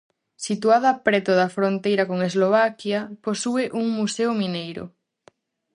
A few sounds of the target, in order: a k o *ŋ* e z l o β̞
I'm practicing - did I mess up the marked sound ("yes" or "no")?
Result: no